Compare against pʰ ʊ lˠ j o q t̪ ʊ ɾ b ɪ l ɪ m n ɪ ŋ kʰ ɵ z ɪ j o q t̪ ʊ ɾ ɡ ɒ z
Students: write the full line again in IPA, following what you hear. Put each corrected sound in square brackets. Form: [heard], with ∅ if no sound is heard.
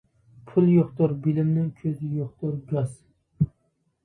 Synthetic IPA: pʰ ʊ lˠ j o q t̪ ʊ ɾ b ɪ l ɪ m n ɪ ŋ kʰ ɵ z ɪ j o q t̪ ʊ ɾ ɡ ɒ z